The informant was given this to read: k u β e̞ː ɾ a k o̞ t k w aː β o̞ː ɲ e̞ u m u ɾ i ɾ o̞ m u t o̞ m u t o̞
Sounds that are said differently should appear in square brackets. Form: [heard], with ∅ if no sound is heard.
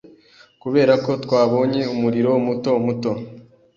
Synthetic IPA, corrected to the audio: k u β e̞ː ɾ a k o̞ t k w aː β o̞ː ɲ e̞ u m u ɾ i ɾ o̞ m u t o̞ m u t o̞